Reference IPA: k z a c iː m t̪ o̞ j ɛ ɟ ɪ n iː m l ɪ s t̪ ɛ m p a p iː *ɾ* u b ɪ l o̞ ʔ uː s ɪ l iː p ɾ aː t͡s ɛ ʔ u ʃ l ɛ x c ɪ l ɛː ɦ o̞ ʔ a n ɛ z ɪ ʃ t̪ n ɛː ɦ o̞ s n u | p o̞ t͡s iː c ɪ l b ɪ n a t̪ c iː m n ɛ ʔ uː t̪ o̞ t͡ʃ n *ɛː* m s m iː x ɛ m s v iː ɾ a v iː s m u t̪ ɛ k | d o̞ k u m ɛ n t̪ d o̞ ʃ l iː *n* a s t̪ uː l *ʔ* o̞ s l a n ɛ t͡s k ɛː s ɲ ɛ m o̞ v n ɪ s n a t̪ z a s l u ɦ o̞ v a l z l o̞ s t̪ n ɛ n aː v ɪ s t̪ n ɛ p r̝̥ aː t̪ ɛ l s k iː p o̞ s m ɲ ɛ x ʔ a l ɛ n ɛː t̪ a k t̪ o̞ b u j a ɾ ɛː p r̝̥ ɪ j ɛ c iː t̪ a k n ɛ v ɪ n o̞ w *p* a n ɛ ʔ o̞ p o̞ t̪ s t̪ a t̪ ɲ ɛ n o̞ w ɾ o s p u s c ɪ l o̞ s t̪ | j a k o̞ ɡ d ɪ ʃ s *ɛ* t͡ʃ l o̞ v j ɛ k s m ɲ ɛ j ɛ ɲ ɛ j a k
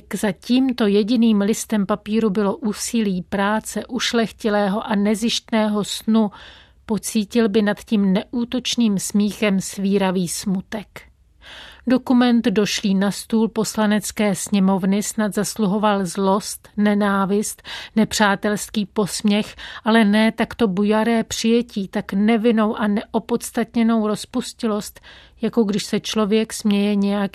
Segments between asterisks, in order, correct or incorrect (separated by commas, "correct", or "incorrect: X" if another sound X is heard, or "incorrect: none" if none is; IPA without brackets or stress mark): correct, incorrect: iː, correct, incorrect: p, incorrect: ʔ, correct